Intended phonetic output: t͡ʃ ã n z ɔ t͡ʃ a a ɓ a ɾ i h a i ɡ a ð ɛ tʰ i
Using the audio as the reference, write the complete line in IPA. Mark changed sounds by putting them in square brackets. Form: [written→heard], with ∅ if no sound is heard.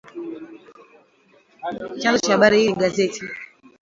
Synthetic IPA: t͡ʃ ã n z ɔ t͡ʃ a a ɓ a ɾ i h [a→i] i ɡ a [ð→z] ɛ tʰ i